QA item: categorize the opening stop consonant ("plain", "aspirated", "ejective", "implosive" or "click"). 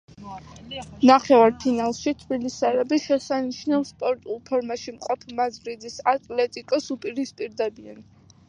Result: aspirated